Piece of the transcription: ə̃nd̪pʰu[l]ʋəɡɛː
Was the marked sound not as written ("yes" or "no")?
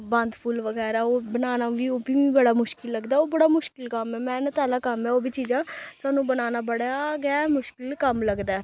no